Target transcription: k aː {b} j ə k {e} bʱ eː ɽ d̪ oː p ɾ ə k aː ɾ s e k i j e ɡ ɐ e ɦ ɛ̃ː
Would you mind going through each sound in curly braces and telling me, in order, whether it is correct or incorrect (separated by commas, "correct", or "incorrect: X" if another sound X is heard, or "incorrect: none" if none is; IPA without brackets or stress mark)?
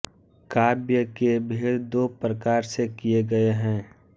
correct, correct